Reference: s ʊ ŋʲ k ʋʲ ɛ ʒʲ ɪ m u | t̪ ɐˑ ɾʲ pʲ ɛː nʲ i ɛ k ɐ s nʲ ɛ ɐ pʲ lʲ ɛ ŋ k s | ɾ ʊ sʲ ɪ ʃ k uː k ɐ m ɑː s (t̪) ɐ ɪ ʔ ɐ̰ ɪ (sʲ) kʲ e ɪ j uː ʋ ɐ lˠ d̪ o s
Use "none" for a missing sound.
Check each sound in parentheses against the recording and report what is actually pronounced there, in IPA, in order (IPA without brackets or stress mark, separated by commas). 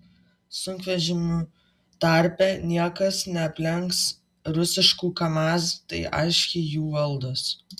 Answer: t̪, ʃʲ